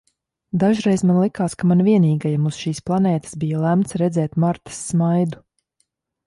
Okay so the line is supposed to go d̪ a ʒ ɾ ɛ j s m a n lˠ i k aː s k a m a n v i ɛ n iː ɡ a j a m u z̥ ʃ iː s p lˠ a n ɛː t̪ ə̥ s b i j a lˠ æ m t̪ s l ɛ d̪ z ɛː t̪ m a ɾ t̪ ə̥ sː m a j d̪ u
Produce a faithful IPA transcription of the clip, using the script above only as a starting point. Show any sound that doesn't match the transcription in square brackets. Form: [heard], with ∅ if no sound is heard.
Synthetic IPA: d̪ a ʒ ɾ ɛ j [z] m a n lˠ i k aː s k a m a n v i ɛ n iː ɡ a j a m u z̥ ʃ iː s p lˠ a n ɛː t̪ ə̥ s b i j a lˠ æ m t̪ s [ɾ] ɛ d̪ z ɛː t̪ m a ɾ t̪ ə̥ sː m a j d̪ u